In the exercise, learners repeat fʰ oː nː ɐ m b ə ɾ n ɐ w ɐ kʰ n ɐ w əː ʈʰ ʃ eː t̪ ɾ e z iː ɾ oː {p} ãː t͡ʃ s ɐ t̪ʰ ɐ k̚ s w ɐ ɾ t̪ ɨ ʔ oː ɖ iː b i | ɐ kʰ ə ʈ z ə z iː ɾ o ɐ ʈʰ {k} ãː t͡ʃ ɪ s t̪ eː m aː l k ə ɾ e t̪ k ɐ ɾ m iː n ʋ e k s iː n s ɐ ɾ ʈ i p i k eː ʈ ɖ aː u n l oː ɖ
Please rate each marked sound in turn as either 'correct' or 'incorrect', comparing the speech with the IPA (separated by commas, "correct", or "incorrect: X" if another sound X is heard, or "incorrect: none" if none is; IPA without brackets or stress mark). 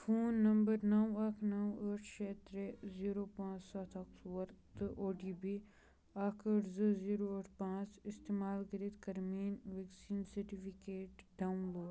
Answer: correct, incorrect: p